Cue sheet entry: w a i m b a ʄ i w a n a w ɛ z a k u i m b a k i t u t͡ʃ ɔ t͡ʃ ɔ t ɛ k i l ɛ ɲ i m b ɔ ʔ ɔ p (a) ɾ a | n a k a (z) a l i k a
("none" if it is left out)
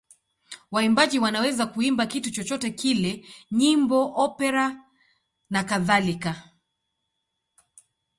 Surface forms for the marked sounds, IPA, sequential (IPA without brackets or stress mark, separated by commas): ɛ, ð